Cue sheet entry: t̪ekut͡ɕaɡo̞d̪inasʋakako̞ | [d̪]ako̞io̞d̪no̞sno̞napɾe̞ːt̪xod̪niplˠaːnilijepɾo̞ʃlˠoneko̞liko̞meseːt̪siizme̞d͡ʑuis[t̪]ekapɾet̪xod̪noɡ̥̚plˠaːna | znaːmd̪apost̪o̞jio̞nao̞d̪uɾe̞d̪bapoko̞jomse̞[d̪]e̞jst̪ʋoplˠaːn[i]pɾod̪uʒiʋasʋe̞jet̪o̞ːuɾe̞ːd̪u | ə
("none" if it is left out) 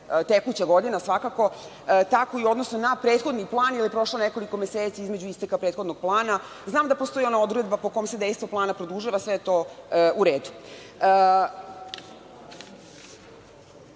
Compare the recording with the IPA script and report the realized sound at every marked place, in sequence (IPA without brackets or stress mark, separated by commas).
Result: t̪, t̪, d̪, a